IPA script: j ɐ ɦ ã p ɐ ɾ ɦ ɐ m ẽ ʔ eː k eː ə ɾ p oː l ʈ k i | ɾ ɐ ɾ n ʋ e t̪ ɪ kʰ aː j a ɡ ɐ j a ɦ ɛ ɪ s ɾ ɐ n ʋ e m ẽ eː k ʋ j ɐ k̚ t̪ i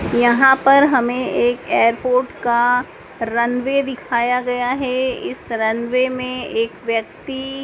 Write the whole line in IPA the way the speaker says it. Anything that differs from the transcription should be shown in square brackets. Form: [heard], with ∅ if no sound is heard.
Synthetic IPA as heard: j ɐ ɦ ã p ɐ ɾ ɦ ɐ m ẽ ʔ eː k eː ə ɾ p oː [ɾ] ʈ k [a] | ɾ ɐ [∅] n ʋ e [d̪] ɪ kʰ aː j a ɡ ɐ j a ɦ ɛ ɪ s ɾ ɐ n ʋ e m ẽ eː k ʋ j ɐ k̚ t̪ i